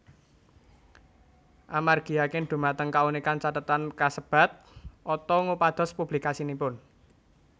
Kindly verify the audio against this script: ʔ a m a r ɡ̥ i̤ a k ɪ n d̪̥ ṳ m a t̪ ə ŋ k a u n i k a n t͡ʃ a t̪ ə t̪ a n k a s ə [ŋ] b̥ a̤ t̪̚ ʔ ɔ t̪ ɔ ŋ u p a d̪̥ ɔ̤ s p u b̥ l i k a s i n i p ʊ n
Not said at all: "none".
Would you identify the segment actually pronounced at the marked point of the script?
none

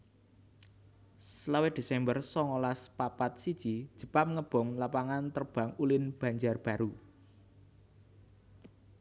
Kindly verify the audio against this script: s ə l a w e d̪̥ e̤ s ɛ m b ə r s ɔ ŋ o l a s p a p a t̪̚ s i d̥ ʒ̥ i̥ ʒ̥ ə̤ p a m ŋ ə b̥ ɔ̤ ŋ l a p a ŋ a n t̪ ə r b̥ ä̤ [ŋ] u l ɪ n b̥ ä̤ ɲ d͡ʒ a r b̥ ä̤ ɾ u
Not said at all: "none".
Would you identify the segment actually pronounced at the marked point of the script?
ŋ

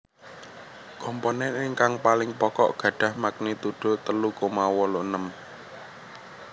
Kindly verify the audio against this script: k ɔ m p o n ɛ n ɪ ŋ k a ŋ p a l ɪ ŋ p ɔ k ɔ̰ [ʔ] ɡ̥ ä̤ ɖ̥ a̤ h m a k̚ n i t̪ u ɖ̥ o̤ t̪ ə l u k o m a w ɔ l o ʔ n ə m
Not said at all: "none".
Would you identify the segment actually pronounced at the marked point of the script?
ʔ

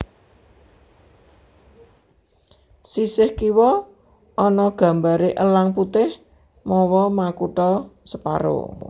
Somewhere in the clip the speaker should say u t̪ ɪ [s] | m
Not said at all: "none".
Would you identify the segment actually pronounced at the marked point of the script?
h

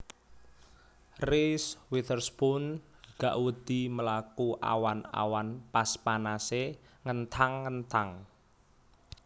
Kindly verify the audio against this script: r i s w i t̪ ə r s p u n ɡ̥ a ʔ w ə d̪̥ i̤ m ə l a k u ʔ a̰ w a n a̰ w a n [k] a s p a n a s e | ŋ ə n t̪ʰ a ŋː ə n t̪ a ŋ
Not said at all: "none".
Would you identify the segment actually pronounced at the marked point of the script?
p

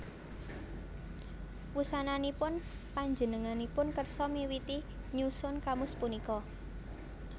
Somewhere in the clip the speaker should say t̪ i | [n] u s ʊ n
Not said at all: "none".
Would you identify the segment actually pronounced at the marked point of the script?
ɲ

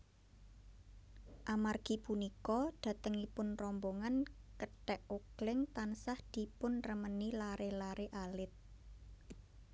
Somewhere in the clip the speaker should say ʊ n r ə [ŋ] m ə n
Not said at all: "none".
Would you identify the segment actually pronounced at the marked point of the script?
none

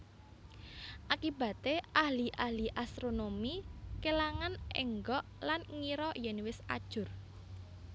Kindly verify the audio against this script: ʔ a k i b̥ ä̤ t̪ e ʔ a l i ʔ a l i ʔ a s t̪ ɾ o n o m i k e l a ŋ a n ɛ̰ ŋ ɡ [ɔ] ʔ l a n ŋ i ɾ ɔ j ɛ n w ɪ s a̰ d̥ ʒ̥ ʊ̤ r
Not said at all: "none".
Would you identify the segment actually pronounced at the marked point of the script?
ɔ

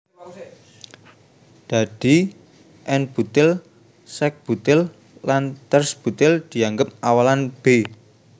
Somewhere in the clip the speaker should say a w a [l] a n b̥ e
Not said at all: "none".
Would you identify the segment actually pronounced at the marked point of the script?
l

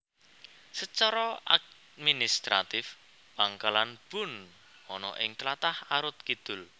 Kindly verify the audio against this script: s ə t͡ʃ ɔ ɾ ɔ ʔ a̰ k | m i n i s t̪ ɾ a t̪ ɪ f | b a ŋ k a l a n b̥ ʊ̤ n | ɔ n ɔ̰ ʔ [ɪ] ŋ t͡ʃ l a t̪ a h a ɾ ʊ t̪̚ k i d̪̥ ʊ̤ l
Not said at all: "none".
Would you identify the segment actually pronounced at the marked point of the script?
ɪ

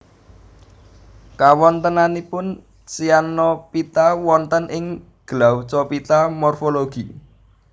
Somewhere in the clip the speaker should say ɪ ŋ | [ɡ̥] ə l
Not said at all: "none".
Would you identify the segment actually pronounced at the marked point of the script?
ɡ̥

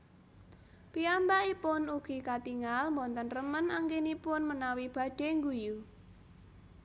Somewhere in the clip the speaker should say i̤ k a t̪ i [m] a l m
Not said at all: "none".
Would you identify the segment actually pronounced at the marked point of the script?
ŋ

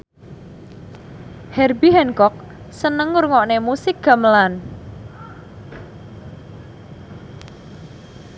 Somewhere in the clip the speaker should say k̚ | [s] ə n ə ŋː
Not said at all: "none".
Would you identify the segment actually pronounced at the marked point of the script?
s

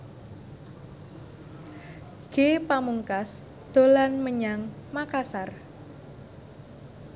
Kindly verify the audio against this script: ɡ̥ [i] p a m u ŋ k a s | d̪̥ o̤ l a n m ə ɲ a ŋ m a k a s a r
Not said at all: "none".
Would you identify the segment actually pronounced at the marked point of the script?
e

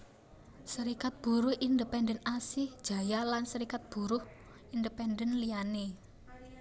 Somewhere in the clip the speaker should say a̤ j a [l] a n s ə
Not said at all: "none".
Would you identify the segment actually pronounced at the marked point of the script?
l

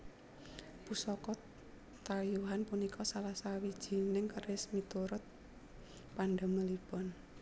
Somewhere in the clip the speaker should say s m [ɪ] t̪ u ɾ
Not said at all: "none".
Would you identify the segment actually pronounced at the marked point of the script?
i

